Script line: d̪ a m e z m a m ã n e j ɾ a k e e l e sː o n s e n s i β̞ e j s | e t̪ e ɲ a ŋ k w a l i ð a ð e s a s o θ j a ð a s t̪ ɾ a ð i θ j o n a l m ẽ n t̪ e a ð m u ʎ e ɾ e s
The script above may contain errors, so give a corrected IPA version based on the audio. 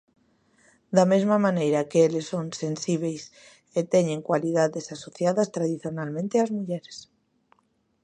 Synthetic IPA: d̪ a m e z m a m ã n e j ɾ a k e e l e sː o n s e n s i β̞ e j s | e t̪ e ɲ e ŋ k w a l i ð a ð e s a s o θ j a ð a s t̪ ɾ a ð i θ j o n a l m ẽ n t̪ e a z m u ʎ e ɾ e s